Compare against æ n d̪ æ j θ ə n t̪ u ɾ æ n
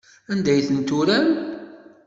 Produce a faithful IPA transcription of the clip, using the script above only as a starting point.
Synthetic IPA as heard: æ n d̪ æ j θ ə n t̪ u ɾ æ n